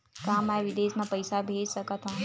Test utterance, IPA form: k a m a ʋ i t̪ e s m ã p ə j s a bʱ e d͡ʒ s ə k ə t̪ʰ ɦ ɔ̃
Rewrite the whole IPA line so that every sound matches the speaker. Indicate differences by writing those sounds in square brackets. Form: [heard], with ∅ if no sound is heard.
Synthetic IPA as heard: k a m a ʋ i [d̪] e s m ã p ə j s a bʱ e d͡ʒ s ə k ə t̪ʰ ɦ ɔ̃